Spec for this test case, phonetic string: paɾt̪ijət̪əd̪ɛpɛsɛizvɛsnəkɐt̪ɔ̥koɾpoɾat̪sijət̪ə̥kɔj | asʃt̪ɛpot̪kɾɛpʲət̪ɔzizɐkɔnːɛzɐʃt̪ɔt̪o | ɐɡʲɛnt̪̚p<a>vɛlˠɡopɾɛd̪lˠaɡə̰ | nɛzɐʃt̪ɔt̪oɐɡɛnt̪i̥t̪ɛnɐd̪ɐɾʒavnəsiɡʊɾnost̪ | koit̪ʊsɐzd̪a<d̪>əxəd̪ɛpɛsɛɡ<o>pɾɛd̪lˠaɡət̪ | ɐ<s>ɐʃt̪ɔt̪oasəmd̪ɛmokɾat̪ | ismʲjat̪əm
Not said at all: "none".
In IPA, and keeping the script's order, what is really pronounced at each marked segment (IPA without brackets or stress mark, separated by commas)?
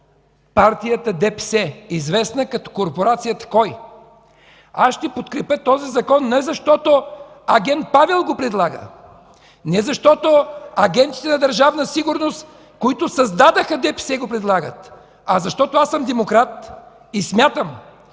a, d̪, o, z